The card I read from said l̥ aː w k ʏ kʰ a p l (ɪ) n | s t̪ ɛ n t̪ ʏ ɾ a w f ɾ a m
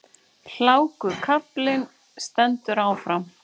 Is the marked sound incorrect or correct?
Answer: correct